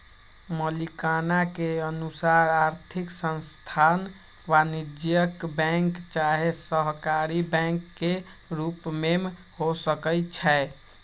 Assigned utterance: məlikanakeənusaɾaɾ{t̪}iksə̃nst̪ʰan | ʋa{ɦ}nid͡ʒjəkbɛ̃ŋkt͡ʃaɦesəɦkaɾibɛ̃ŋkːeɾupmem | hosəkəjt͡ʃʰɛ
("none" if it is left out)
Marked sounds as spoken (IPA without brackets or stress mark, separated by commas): t̪ʰ, none